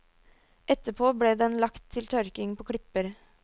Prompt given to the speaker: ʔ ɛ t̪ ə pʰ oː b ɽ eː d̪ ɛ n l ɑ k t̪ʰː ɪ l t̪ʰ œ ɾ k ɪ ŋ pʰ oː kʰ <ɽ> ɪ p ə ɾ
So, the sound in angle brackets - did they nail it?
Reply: yes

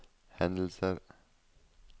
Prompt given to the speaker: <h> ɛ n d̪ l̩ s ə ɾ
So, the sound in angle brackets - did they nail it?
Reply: yes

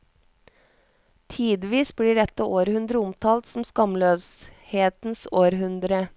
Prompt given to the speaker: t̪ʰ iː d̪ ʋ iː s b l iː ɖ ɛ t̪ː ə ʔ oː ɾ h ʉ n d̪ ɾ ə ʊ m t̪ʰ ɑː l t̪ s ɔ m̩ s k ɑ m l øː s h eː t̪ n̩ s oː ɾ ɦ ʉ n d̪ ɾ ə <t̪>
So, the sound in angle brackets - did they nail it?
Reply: no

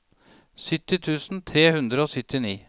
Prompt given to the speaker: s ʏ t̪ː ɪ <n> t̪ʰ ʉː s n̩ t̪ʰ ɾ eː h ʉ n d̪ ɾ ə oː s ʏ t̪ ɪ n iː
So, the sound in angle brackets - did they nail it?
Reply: no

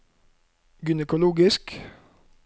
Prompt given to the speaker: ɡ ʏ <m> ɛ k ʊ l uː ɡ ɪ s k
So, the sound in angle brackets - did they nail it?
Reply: no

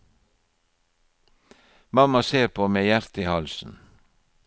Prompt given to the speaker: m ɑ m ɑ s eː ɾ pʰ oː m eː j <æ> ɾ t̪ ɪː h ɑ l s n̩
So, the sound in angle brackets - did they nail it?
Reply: yes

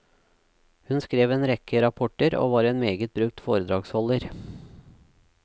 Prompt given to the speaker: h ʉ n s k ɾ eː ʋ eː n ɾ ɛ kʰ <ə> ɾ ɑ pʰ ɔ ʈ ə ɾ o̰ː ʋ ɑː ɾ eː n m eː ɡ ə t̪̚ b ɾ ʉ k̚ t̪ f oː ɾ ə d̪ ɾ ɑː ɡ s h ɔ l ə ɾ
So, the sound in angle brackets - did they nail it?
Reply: yes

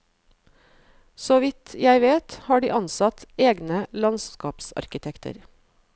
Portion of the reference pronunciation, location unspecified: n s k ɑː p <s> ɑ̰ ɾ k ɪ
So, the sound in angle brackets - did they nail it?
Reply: yes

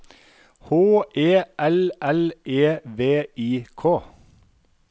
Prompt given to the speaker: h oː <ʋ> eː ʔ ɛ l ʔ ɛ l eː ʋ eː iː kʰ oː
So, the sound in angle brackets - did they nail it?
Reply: no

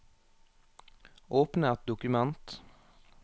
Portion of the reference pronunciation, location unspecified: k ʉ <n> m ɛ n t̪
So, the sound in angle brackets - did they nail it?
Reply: no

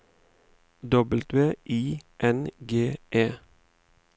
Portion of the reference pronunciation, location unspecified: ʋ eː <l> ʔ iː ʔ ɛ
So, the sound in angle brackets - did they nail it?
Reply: no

